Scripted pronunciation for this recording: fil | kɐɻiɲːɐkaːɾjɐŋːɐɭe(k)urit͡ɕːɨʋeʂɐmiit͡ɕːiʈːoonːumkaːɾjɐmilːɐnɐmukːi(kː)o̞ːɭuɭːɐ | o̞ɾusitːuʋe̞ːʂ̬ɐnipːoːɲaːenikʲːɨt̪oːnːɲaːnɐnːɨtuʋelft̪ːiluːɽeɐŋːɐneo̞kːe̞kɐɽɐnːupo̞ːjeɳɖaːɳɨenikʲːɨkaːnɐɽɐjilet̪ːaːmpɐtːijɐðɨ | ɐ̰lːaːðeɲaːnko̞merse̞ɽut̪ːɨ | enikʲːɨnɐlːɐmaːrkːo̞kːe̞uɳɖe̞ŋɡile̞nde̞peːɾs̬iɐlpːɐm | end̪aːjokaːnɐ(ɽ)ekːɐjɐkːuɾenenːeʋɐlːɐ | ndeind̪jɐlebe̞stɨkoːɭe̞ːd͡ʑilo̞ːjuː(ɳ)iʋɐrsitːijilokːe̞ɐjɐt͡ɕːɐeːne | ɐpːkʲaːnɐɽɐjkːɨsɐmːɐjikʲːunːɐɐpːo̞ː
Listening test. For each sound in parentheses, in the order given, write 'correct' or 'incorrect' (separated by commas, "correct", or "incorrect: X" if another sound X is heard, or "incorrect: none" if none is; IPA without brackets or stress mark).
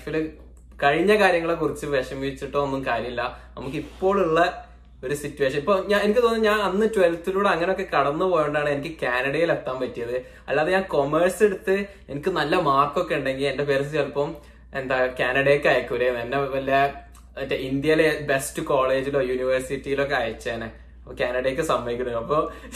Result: correct, incorrect: pː, correct, incorrect: n